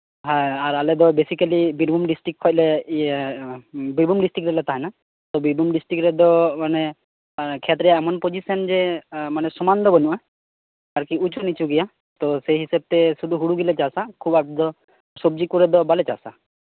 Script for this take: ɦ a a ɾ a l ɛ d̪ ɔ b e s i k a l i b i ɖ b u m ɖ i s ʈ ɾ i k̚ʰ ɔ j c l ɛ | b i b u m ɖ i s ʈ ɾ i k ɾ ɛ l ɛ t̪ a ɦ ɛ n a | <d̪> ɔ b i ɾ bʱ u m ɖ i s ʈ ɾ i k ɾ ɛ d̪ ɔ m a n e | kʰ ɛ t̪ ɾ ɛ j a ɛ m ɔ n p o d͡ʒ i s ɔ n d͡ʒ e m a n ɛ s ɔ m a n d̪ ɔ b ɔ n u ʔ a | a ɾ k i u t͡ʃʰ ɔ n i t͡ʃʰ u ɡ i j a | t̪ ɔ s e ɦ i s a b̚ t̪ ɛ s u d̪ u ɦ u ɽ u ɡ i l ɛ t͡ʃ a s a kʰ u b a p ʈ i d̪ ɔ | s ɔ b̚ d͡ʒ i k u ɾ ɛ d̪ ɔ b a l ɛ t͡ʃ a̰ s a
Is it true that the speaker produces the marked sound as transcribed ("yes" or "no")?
no